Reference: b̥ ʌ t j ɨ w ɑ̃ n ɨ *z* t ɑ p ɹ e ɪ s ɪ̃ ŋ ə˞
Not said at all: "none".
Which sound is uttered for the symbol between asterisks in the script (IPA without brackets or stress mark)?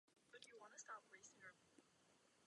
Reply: s